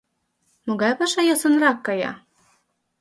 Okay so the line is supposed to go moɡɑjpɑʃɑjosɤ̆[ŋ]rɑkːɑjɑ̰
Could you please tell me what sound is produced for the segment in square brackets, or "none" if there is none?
n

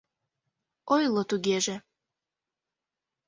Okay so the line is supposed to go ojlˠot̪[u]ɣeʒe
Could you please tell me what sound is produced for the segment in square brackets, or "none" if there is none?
u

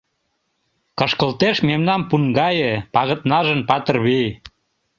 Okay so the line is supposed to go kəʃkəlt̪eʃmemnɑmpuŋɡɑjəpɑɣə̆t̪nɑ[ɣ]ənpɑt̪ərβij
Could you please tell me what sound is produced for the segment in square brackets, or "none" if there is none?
ʒ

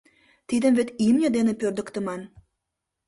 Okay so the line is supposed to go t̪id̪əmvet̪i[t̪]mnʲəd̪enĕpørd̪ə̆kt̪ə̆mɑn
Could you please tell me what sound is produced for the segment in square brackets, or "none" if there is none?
none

